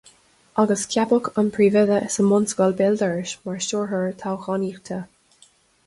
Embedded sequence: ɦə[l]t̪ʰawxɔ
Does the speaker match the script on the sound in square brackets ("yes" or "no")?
no